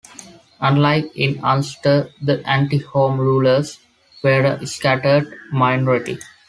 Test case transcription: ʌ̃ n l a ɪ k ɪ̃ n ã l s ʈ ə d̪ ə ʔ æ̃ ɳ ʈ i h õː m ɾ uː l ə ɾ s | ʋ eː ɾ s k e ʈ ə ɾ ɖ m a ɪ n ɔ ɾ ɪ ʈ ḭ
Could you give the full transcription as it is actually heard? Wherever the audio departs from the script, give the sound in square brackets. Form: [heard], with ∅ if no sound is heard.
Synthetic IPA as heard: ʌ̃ n l a ɪ k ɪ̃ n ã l s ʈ ə d̪ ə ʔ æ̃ ɳ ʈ i h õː m ɾ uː l ə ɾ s | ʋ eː ɾ s k [æ] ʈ ə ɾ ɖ m a ɪ n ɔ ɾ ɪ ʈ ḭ